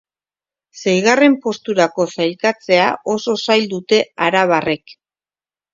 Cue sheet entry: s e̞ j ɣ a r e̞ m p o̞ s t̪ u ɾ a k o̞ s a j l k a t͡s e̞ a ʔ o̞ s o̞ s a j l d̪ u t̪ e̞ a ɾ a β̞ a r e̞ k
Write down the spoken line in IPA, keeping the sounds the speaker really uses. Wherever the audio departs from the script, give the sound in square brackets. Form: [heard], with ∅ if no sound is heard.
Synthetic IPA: s e̞ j ɣ a r e̞ m p o̞ s t̪ u ɾ a k o̞ s a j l k a t͡s e̞ a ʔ o̞ s o̞ s a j l d̪ u t̪ e̞ a ɾ a β̞ a r e̞ k